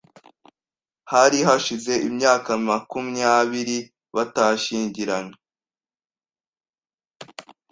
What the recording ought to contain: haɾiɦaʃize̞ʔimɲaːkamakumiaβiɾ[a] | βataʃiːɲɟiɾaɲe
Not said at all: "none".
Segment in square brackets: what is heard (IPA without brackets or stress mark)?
i